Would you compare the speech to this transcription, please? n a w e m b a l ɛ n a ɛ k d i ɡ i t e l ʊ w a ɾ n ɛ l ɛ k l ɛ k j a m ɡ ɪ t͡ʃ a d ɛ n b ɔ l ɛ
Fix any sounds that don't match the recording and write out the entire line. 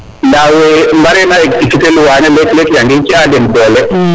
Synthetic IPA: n a w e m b a ɾ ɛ n a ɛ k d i k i t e l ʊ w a n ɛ l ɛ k l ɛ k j a ŋ ɡ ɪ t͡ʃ a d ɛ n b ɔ l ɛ